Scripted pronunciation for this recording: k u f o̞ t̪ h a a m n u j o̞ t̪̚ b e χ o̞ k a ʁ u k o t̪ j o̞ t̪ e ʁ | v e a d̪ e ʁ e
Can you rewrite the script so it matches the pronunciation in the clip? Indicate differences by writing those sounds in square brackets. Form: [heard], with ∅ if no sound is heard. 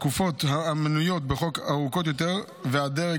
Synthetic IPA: k u f o̞ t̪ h a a m n u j o̞ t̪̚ b e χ o̞ k a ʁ u k o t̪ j o̞ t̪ e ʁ | v e a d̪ e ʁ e